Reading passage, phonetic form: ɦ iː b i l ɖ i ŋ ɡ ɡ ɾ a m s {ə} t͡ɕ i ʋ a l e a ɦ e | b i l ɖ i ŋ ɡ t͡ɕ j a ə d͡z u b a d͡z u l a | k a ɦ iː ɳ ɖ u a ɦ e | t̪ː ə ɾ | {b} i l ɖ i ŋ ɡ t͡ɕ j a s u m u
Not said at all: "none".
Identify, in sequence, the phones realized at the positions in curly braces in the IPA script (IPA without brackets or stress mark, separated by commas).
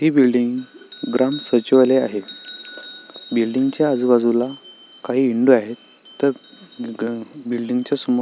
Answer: ə, b